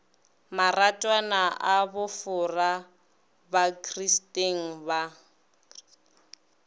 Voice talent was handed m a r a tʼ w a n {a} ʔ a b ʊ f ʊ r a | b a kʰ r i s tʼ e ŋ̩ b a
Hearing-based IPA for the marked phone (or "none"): a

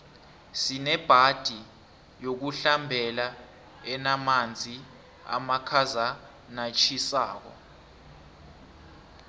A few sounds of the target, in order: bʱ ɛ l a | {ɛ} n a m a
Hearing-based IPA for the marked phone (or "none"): ɛ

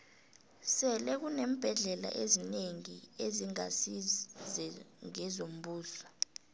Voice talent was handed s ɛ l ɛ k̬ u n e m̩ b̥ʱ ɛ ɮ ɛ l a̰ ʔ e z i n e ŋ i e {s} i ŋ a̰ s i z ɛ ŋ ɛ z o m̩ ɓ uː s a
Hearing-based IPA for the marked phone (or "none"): z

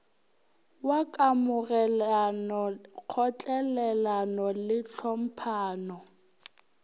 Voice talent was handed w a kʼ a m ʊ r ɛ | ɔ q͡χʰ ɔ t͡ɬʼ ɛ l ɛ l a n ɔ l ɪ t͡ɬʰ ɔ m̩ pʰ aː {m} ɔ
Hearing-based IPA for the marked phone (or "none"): n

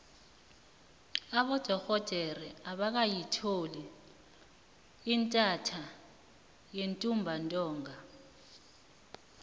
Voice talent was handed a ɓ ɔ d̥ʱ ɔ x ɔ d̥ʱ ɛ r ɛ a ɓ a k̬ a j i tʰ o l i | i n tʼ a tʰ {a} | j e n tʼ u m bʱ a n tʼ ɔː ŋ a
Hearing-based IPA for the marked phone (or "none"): a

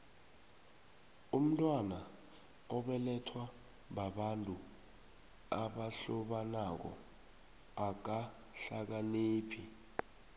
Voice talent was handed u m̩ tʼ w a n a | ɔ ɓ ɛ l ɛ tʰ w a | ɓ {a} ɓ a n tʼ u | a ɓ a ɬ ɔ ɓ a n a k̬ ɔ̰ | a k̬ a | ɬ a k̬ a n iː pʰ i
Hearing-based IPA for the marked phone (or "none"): a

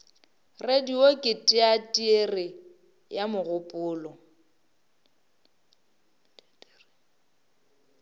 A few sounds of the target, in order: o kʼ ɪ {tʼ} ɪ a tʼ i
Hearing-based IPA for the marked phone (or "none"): tʼ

